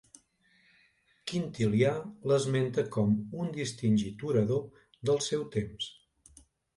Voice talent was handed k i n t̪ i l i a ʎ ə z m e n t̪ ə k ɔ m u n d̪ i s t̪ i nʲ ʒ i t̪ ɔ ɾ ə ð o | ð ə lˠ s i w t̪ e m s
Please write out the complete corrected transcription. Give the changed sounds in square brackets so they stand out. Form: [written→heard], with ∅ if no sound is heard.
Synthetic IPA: k i n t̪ i l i a [ʎ→l] ə z m e n t̪ ə k ɔ m u n d̪ i s t̪ i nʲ ʒ i t̪ [ɔ→u] ɾ ə ð o | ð ə lˠ s [i→ɛ] w t̪ e m s